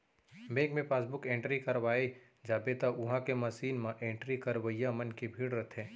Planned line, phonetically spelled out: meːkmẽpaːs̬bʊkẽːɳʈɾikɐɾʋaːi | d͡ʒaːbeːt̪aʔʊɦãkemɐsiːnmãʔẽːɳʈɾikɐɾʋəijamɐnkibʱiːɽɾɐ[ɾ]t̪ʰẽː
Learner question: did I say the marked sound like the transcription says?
no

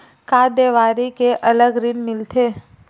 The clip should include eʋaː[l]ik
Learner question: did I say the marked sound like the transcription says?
no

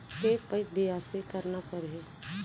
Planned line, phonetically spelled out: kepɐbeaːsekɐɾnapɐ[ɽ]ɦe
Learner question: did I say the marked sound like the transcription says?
no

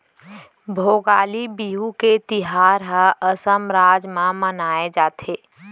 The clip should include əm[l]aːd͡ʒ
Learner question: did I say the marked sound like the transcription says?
no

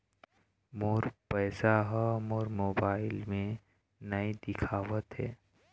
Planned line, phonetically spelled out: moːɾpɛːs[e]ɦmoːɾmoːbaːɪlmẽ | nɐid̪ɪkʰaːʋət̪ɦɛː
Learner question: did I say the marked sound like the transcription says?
no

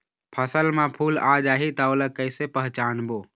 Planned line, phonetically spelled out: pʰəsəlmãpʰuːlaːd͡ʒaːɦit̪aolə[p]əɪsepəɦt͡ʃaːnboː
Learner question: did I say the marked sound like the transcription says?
no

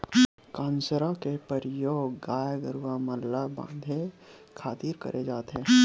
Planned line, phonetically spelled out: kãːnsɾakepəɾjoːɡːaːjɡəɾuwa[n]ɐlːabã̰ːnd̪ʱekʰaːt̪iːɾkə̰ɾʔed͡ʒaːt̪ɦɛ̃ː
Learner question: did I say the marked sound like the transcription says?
no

